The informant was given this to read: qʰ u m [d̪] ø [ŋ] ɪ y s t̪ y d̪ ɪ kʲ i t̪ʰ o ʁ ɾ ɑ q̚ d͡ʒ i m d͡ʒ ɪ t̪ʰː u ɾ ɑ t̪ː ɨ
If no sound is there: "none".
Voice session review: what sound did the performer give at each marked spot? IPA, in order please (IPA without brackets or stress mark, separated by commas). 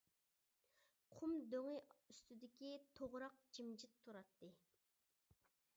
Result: d̪, ŋ